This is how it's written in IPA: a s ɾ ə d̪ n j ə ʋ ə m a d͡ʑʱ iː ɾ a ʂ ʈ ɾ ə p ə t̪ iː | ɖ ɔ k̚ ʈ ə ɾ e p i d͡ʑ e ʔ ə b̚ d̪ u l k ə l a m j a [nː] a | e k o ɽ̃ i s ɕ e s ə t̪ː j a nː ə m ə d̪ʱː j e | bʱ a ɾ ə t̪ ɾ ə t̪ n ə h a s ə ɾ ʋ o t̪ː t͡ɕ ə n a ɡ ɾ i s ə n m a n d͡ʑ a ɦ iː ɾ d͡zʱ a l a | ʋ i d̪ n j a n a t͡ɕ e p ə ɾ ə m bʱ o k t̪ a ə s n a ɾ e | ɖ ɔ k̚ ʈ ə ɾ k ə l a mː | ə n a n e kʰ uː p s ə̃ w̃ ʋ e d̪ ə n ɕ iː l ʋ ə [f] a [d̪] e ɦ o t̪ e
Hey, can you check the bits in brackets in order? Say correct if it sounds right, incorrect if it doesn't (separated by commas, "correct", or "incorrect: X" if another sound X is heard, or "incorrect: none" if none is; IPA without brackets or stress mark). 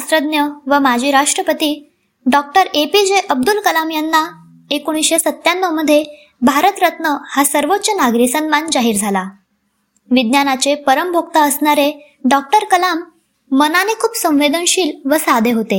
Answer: correct, incorrect: s, correct